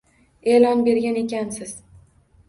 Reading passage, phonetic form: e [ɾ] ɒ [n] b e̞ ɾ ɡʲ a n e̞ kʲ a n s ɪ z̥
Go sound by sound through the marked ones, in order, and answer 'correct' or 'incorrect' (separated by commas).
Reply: incorrect, correct